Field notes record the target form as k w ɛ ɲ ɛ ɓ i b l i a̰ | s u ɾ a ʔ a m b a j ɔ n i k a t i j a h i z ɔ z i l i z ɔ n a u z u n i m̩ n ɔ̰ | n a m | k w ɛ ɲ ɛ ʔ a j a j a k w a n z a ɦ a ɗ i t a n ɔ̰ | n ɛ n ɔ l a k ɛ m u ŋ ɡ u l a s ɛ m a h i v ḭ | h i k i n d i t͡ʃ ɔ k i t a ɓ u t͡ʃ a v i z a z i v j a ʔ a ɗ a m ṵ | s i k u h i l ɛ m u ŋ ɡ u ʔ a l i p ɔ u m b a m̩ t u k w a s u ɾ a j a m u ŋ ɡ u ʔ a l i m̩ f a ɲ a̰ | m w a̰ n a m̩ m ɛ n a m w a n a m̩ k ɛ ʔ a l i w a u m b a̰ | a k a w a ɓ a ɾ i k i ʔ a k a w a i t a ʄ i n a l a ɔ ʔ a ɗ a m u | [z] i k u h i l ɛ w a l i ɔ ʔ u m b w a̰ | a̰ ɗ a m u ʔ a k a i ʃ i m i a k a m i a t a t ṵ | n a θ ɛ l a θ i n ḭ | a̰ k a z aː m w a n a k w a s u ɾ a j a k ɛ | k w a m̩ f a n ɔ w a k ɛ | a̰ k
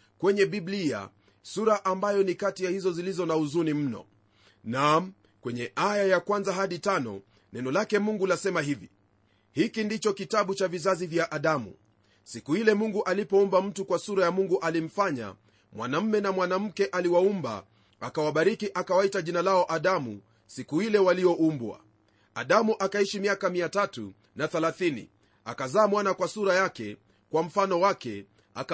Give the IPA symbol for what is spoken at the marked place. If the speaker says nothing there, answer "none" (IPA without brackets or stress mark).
s